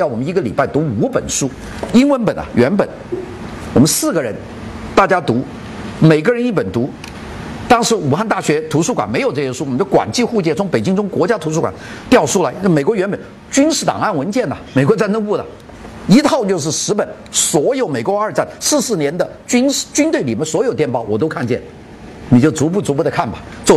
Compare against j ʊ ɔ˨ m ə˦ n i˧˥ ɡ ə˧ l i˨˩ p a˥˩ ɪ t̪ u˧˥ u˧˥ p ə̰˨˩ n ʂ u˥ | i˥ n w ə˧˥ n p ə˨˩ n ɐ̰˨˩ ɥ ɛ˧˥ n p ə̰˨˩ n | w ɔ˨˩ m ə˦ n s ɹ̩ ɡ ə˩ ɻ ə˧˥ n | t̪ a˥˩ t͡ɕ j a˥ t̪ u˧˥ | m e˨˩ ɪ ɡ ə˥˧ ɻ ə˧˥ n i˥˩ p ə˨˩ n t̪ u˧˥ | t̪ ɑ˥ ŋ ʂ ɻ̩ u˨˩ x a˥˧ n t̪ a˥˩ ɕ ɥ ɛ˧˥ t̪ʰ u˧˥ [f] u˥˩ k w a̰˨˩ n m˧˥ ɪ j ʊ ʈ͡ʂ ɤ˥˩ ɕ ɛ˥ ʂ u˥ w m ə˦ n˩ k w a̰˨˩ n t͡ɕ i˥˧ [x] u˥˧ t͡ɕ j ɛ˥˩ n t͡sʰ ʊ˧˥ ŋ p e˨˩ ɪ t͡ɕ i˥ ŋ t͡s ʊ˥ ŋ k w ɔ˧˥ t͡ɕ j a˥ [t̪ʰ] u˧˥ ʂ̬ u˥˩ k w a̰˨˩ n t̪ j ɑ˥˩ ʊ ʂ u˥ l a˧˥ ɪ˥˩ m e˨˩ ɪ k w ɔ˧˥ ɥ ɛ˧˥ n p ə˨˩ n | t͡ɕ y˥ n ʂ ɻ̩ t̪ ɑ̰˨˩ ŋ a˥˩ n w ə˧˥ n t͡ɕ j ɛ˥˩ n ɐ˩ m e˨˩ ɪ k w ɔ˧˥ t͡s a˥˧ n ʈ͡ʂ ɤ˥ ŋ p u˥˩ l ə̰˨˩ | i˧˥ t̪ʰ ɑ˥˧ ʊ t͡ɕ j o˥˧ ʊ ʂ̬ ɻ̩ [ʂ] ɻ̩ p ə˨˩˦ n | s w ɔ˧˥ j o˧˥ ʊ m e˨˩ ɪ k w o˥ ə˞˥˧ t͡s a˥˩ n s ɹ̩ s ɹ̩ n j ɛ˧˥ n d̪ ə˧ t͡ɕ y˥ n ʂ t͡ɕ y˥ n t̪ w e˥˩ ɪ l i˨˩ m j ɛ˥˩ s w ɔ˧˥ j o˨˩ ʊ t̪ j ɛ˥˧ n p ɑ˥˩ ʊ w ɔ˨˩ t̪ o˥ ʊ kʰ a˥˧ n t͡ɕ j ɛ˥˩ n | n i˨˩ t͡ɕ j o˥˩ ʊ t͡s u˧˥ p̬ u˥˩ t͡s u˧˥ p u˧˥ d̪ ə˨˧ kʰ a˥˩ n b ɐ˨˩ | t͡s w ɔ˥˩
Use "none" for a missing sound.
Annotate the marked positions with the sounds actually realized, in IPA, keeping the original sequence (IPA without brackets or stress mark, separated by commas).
ʂ, x, t̪ʰ, ʂ